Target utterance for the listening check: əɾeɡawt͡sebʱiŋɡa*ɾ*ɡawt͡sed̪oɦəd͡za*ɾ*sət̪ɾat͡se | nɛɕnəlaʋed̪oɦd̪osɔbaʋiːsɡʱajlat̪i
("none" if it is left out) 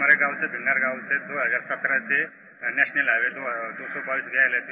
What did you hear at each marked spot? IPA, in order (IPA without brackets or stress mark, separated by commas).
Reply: ɾ, ɾ